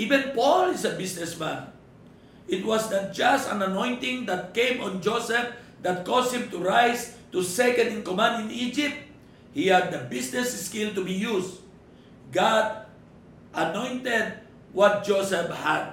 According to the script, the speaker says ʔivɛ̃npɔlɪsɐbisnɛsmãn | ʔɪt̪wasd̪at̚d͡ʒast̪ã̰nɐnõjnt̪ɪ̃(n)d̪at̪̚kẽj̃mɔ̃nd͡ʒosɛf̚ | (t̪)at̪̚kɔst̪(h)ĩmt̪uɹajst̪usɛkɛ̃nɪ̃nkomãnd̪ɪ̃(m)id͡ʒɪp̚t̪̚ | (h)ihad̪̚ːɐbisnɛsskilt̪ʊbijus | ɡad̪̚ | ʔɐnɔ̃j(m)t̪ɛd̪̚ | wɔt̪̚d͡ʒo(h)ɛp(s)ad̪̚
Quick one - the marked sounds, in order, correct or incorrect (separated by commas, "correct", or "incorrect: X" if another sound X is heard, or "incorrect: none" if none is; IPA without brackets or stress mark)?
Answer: incorrect: ŋ, incorrect: d̪, correct, incorrect: n, correct, incorrect: n, incorrect: s, incorrect: h